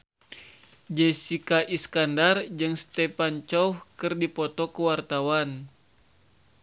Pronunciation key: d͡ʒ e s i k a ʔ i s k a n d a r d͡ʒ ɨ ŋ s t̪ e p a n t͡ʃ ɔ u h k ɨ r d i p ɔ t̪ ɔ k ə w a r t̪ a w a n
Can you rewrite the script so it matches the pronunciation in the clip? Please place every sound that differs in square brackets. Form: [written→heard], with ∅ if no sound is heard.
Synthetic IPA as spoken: d͡ʒ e s i k a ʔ i s k a n d a r d͡ʒ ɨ ŋ s t̪ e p a n t͡ʃ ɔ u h k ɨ r d i p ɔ t̪ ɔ k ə w a r t̪ a w a n